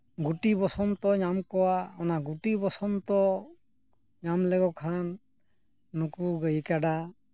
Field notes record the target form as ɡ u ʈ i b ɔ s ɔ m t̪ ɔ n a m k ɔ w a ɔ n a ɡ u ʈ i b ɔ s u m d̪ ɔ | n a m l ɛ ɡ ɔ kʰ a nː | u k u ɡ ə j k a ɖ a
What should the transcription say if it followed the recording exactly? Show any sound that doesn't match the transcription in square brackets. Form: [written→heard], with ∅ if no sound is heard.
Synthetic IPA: ɡ u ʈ i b ɔ s ɔ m t̪ ɔ [n→ɲ] a m k ɔ w a ɔ n a ɡ u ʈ i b ɔ s [u→ɔ] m [d̪→t̪] ɔ | [n→ɲ] a m l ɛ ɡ ɔ kʰ a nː | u k u ɡ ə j k a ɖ a